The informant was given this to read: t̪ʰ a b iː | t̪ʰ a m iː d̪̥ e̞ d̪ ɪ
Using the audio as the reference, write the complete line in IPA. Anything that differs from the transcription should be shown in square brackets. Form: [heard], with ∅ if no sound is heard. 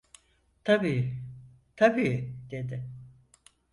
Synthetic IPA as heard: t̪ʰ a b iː | t̪ʰ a [b] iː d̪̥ e̞ d̪ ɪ